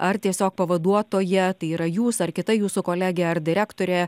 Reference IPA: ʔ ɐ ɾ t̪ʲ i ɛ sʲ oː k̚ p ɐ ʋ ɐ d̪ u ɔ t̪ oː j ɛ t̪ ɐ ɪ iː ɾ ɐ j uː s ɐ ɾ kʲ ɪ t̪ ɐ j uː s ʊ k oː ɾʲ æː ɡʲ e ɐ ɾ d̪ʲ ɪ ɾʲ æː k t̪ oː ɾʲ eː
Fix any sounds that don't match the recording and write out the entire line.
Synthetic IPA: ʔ ɐ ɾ t̪ʲ i ɛ sʲ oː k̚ p ɐ ʋ ɐ d̪ u ɔ t̪ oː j ɛ t̪ ɐ ɪ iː ɾ ɐ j uː s ɐ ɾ kʲ ɪ t̪ ɐ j uː s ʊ k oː lʲ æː ɡʲ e ɐ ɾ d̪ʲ ɪ ɾʲ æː k t̪ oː ɾʲ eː